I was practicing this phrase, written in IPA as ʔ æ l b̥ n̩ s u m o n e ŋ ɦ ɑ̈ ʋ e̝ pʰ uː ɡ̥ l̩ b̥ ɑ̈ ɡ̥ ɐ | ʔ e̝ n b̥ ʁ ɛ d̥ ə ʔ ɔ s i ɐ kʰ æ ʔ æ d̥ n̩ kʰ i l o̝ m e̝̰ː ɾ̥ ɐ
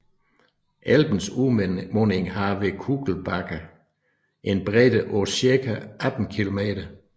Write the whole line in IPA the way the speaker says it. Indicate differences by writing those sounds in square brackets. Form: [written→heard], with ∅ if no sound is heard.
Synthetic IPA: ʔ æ l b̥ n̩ s u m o n e ŋ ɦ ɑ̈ ʋ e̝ [pʰ→kʰ] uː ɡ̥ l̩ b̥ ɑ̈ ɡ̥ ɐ | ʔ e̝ n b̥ ʁ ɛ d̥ ə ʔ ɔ s i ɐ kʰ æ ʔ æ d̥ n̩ kʰ i l o̝ m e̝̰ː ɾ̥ ɐ